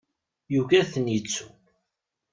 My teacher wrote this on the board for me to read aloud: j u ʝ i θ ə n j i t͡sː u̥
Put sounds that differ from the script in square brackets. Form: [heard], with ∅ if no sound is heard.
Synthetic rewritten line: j u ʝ [æ] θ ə n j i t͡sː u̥